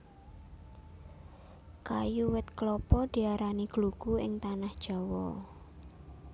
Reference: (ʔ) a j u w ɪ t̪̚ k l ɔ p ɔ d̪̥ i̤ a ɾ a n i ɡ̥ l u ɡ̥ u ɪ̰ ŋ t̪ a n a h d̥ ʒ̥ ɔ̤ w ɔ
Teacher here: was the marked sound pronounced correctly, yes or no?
no